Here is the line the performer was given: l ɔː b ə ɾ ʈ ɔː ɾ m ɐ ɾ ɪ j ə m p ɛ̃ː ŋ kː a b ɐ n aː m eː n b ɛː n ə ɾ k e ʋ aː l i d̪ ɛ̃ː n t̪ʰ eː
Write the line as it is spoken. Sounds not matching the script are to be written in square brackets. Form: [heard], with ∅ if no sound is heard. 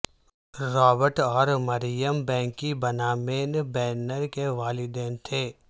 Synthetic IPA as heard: [ɾ] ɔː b ə ɾ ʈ ɔː ɾ m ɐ ɾ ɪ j ə m [b] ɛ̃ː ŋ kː [i] b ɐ n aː m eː n b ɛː n ə ɾ k e ʋ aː l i d̪ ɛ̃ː n t̪ʰ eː